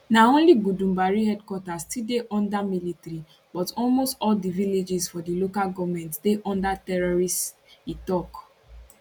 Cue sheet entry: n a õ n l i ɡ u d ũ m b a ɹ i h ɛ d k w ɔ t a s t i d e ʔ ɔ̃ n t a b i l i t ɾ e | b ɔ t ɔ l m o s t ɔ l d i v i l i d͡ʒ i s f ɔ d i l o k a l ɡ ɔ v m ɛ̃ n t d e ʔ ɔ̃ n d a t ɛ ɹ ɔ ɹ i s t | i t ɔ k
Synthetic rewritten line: n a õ n l i ɡ u d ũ m b a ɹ i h ɛ d k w ɔ t a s t i d e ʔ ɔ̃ n d a m i l i t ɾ i | b ɔ t ɔ l m o s t ɔ l d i v i l e d͡ʒ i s f ɔ d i l o k a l ɡ ɔ v m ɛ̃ n t d e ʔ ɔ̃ n d a t ɛ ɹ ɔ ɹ i s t | i t ɔ k